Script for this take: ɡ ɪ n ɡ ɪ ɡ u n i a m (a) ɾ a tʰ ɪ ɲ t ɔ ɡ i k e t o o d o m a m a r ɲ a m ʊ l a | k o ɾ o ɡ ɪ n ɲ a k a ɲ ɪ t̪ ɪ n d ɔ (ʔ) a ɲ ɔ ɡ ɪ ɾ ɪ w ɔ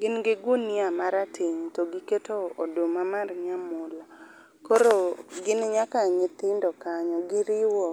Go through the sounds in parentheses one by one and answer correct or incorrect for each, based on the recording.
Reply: correct, incorrect: k

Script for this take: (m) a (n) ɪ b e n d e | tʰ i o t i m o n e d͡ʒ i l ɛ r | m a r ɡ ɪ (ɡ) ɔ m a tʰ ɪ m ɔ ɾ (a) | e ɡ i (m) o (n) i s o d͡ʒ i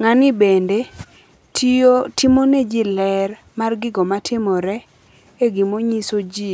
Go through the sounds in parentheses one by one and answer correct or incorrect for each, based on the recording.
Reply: incorrect: ŋ, correct, correct, incorrect: ɛ, correct, incorrect: ɲ

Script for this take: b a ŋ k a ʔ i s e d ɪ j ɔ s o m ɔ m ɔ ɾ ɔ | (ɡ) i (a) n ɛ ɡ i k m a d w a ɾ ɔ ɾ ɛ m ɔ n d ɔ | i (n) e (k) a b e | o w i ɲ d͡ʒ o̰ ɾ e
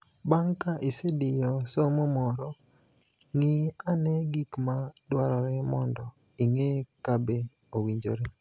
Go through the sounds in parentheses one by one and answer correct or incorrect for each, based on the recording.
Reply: incorrect: ŋ, correct, incorrect: ŋ, correct

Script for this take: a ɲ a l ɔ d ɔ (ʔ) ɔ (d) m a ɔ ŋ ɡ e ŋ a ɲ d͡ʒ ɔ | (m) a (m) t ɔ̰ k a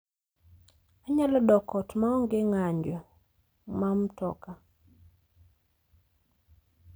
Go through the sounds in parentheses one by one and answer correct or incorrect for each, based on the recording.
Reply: incorrect: k, incorrect: t, correct, correct

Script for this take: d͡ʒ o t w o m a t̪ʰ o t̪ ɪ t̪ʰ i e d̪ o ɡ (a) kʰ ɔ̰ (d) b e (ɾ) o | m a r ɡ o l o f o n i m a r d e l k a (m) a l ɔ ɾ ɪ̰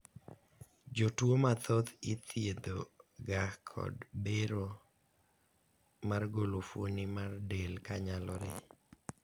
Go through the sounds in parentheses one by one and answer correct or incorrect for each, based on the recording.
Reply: correct, correct, correct, incorrect: ɲ

